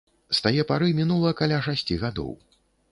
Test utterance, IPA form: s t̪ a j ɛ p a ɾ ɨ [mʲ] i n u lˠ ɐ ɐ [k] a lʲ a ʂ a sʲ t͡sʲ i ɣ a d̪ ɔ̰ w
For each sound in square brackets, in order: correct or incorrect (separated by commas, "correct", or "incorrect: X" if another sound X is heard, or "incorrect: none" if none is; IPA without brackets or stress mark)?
correct, correct